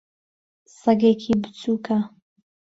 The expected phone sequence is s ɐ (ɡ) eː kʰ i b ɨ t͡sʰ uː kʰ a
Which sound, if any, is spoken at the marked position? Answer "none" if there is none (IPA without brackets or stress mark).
ɡ